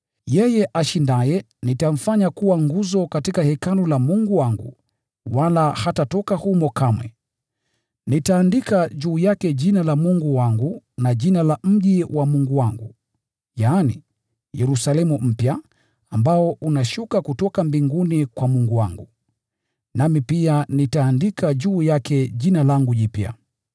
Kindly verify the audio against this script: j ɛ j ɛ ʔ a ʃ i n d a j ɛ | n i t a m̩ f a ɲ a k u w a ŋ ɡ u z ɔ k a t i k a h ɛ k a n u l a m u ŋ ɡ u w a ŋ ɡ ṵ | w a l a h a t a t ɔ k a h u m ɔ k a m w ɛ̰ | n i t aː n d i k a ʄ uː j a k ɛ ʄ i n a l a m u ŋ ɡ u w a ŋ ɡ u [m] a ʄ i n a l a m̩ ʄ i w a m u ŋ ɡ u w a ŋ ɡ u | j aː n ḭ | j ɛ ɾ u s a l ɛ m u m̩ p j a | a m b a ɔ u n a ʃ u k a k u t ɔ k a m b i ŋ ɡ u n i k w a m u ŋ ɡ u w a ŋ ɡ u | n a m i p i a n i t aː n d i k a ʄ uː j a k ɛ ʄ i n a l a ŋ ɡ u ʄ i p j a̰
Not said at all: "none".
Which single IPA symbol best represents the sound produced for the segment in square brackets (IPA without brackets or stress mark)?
n